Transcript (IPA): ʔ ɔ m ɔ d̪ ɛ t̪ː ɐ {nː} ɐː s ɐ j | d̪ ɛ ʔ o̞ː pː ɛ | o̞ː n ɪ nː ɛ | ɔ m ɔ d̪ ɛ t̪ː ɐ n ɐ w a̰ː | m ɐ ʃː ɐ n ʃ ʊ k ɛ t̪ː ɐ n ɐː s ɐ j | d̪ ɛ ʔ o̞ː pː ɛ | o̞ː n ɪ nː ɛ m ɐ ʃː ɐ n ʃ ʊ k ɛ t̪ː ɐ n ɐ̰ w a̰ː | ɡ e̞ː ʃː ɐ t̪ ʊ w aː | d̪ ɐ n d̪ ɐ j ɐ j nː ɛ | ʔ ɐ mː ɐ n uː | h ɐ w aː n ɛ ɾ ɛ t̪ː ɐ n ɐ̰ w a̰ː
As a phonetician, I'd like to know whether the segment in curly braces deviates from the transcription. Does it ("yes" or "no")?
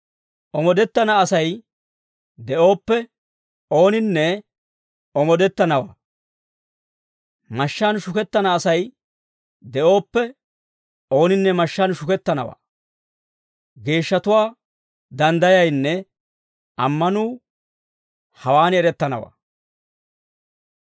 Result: yes